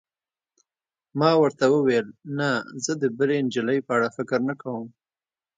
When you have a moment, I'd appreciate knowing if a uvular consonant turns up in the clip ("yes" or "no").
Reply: no